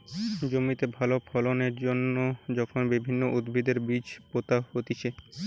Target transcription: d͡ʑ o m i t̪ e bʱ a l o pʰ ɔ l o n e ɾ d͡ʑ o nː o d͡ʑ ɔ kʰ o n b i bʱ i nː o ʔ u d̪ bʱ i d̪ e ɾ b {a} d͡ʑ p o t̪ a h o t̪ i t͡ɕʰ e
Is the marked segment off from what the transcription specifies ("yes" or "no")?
yes